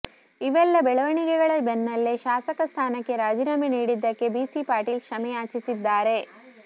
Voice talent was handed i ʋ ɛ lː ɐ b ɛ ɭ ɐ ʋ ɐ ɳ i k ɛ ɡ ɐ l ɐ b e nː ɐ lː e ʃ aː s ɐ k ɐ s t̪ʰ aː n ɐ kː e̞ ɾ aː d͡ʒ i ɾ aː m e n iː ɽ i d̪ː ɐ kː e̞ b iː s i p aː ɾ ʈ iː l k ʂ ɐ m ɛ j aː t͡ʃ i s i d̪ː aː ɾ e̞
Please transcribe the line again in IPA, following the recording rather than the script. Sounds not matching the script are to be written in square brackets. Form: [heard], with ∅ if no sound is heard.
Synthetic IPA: i ʋ ɛ lː ɐ b ɛ ɭ ɐ ʋ ɐ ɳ i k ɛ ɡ ɐ [ɭ] ɐ b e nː ɐ lː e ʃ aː s ɐ k ɐ s t̪ʰ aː n ɐ kː e̞ ɾ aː d͡ʒ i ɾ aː m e n iː ɽ i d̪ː ɐ kː e̞ b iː s i p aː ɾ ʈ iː l k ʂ ɐ m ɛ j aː t͡ʃ i s i d̪ː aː ɾ e̞